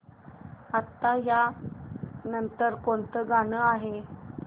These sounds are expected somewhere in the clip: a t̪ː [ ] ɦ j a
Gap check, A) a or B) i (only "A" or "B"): A